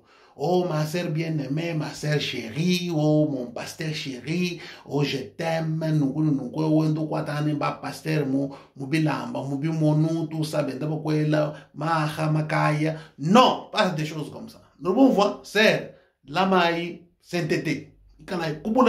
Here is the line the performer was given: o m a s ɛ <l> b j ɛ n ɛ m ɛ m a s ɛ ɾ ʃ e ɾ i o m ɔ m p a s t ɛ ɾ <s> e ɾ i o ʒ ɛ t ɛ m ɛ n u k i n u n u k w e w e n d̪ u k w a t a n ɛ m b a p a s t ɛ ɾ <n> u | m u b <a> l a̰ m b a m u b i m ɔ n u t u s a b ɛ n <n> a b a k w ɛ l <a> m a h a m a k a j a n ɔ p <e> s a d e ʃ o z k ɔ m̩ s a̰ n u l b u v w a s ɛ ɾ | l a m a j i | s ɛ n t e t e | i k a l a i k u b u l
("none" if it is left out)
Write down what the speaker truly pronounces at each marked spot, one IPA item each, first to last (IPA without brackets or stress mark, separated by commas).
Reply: ɾ, ʃ, m, i, d, a, a